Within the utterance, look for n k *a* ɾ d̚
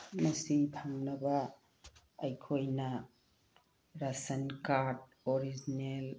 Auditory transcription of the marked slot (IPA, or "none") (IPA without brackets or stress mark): a